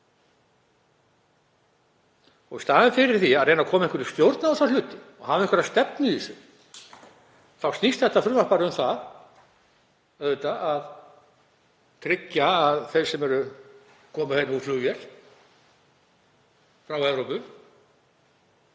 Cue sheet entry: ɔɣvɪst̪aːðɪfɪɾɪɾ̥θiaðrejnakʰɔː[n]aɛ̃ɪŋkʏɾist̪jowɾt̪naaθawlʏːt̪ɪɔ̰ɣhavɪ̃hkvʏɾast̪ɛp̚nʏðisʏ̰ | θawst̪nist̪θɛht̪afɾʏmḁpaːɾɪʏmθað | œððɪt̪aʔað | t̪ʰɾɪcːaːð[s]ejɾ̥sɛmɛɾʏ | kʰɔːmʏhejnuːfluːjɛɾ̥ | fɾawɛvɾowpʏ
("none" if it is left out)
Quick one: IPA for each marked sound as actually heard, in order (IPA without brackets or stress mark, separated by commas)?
m, θ